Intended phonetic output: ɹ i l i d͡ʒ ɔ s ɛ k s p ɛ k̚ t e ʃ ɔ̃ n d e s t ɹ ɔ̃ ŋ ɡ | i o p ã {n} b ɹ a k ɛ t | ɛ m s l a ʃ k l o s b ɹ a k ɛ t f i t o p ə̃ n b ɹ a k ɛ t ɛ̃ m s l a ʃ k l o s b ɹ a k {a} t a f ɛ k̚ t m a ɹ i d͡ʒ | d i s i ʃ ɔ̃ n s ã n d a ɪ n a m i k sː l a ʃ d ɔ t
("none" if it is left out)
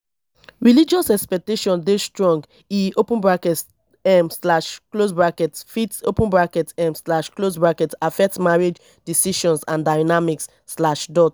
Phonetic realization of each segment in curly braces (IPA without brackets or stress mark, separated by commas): n, ɛ